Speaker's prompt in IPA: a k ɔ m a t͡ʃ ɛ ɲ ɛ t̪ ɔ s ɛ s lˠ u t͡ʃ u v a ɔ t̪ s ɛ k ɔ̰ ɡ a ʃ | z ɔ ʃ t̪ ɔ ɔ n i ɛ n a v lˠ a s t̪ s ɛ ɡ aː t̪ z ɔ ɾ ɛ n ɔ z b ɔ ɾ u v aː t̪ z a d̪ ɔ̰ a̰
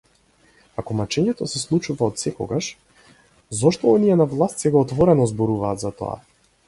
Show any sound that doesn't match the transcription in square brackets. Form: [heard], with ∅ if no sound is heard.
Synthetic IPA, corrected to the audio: a k ɔ m a t͡ʃ ɛ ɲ ɛ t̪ ɔ s ɛ s lˠ u t͡ʃ u v a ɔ t̪ s ɛ k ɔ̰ ɡ a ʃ | z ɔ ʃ t̪ ɔ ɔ n i ɛ n a v lˠ a s t̪ s ɛ ɡ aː t̪ [v] ɔ ɾ ɛ n ɔ z b ɔ ɾ u v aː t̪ z a [t̪] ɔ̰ a̰